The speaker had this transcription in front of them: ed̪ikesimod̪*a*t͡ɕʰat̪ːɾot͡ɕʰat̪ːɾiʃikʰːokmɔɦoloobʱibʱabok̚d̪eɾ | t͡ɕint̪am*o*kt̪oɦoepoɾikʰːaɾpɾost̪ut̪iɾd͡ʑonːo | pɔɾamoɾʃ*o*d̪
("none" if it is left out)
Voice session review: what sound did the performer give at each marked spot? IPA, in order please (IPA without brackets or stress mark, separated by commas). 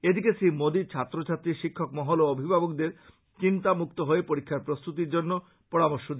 i, u, o